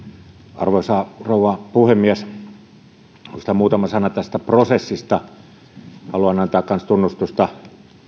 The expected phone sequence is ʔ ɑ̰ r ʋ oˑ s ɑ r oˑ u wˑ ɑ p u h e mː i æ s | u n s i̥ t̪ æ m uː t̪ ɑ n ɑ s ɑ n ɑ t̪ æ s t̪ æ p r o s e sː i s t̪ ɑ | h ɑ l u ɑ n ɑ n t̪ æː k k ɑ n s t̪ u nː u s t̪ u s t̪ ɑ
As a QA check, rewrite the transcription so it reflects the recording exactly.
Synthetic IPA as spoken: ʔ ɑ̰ r ʋ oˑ s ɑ r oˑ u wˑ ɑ p u h e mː i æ s | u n s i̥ t̪ æ m uː t̪ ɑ m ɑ s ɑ n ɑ t̪ æ s t̪ æ p r o s e sː i s t̪ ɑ | h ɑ l u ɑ n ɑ n t̪ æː k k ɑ n s t̪ u nː u s t̪ u s t̪ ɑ